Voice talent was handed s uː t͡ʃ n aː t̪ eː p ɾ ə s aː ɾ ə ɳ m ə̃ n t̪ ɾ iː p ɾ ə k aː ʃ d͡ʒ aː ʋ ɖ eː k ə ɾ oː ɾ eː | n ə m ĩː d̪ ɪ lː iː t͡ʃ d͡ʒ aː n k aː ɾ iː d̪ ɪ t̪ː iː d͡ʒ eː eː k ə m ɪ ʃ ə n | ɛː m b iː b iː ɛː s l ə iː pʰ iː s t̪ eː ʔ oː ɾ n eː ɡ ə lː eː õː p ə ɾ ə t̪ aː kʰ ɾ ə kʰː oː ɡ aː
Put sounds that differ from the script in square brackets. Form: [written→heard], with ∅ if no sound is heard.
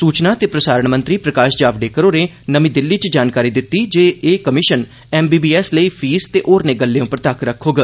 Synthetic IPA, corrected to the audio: s uː t͡ʃ n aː t̪ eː p ɾ ə s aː ɾ ə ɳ m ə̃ n t̪ ɾ iː p ɾ ə k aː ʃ d͡ʒ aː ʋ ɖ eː k ə ɾ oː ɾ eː | n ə m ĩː d̪ ɪ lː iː t͡ʃ d͡ʒ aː n k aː ɾ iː d̪ ɪ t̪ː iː d͡ʒ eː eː k ə m ɪ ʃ ə n | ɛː m b iː b iː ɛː s l ə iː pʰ iː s t̪ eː ʔ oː ɾ n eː ɡ ə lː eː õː p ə ɾ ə t̪ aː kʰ ɾ ə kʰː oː ɡ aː